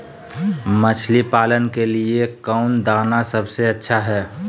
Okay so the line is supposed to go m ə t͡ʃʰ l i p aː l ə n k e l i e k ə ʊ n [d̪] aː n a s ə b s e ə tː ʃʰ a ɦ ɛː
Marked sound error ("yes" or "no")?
no